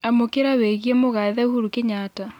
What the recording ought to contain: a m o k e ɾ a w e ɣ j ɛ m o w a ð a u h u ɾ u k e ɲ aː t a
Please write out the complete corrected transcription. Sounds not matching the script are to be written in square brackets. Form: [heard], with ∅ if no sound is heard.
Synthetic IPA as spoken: a m o k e ɾ a w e ɣ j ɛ m o [ɣ] a ð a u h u ɾ u k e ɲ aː t a